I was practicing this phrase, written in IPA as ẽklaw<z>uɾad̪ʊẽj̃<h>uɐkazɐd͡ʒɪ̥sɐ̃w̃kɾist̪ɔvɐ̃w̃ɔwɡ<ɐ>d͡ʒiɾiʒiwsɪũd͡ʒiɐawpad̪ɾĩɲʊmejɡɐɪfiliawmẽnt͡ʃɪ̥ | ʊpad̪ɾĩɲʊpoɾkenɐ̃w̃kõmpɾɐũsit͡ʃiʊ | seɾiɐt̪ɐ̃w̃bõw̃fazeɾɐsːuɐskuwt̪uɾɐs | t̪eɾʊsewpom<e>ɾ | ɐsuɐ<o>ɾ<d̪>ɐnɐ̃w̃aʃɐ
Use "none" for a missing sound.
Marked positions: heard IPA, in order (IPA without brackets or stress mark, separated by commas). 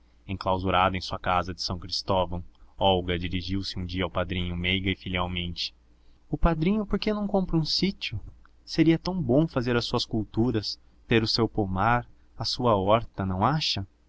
z, s, ɐ, a, ɔ, t̪